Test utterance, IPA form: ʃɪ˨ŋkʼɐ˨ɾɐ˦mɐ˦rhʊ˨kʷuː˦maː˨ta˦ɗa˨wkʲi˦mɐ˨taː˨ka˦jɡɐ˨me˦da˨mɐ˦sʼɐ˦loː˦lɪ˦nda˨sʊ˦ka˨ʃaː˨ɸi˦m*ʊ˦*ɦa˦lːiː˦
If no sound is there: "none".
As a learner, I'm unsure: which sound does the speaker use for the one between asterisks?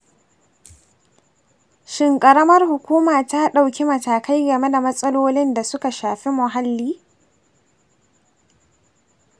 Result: ʊ˨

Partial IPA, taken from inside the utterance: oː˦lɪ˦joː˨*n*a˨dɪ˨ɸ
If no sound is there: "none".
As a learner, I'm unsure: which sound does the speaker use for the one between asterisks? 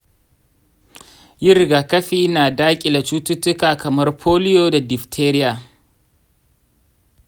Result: d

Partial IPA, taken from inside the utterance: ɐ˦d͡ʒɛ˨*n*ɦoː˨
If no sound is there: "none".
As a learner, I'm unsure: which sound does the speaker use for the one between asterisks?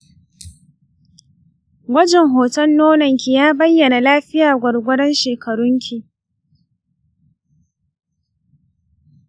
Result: ŋ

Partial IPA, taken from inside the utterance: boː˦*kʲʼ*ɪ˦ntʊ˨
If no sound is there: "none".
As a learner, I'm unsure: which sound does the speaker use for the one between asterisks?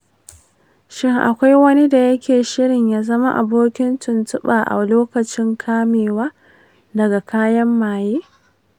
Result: kʲ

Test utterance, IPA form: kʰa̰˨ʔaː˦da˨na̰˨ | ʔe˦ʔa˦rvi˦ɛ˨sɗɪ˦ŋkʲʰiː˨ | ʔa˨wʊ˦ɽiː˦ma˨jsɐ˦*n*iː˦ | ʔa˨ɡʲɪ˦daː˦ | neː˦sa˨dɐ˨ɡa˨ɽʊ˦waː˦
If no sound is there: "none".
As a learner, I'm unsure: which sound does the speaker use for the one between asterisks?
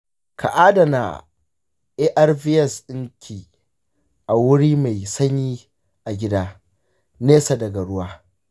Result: ɲ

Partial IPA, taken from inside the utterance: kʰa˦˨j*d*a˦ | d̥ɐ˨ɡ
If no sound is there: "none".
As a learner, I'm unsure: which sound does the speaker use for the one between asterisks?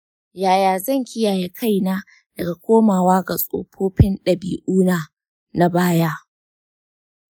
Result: n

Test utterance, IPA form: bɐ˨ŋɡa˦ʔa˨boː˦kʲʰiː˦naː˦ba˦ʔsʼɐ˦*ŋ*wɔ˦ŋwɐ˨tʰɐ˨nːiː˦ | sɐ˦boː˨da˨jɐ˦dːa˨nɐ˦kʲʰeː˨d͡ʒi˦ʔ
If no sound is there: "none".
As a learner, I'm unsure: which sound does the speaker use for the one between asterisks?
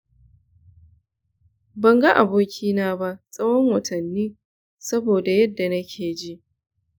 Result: none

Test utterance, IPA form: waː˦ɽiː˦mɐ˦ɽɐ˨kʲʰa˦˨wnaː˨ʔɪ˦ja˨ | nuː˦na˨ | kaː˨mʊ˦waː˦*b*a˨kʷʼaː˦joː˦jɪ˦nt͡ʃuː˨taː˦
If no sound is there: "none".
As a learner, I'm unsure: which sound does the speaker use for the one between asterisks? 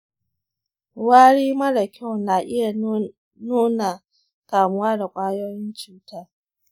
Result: d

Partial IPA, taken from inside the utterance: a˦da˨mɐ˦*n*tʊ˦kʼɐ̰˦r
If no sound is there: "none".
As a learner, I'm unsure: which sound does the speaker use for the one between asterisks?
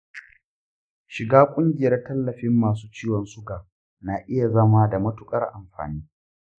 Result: none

